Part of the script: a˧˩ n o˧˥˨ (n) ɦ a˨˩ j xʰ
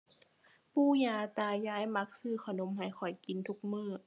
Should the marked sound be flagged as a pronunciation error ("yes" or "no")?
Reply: yes